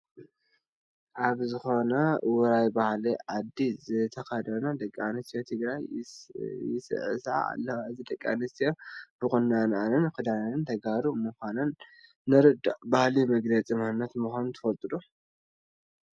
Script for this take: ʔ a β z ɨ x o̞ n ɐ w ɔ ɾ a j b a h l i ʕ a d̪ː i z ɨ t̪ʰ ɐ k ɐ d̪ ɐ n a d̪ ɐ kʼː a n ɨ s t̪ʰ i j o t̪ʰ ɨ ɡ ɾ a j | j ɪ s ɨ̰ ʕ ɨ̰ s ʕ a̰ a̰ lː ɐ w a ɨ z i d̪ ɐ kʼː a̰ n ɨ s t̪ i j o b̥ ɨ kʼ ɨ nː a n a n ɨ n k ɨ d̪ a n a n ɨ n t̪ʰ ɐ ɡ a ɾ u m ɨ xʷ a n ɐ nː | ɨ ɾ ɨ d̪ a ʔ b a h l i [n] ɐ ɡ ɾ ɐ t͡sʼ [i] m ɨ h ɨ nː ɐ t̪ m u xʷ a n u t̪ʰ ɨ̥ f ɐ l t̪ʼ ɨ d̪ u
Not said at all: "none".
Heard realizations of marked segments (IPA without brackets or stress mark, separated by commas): m, i